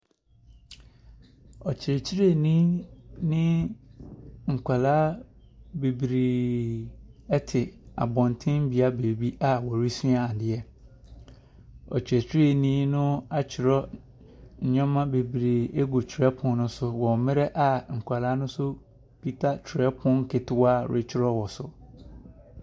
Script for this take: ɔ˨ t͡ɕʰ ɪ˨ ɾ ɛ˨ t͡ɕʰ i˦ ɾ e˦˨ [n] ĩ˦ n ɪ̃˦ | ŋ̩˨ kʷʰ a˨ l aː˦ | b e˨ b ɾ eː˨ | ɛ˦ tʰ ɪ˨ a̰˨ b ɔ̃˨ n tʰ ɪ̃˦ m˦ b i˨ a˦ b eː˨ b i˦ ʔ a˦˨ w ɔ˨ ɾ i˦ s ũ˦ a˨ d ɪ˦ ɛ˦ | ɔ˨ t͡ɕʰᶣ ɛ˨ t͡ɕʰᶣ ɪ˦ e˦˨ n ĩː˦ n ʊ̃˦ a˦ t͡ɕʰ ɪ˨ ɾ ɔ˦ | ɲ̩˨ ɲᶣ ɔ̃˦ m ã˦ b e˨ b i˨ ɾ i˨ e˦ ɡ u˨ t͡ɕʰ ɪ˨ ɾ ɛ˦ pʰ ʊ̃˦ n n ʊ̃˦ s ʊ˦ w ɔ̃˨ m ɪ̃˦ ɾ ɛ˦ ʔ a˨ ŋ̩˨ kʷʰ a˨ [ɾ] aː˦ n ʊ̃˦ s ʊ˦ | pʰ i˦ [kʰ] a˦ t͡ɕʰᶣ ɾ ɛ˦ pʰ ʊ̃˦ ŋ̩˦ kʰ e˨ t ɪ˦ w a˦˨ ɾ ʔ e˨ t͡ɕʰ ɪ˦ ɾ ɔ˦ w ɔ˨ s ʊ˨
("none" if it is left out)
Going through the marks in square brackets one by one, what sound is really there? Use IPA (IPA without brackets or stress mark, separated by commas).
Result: n, l, tʰ